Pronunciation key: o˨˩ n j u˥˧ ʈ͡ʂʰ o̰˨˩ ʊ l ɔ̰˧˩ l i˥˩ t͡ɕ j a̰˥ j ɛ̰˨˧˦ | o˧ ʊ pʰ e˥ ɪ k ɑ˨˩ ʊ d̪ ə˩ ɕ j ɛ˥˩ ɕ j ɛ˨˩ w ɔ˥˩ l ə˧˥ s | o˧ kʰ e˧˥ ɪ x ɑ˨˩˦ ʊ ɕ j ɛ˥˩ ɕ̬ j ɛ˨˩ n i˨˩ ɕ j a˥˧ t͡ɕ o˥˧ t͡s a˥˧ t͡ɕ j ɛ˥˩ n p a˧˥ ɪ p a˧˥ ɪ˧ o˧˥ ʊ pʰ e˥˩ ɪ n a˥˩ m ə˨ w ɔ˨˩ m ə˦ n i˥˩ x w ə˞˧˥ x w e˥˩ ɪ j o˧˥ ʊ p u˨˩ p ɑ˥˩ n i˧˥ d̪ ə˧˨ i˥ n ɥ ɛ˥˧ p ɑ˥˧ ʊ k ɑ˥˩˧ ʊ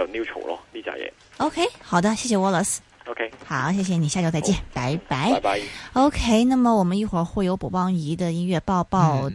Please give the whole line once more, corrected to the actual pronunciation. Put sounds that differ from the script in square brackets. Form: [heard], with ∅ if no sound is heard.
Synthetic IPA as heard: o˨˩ n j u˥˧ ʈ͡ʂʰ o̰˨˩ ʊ l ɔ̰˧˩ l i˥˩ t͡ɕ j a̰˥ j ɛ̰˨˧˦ | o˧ ʊ [kʰ] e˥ ɪ [x] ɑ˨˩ ʊ d̪ [ə˦] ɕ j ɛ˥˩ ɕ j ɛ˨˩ w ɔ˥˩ l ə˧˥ s | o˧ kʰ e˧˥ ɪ x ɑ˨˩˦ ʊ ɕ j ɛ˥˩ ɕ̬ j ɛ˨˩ n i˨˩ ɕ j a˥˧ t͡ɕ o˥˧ t͡s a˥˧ t͡ɕ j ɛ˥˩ n p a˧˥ ɪ p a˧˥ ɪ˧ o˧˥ ʊ [kʰ] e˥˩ ɪ n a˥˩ m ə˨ w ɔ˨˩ m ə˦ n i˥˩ x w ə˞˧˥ x w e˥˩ ɪ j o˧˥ ʊ p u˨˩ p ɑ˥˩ [ŋ] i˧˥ d̪ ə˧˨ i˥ n ɥ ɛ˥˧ p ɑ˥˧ ʊ [p] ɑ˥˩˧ ʊ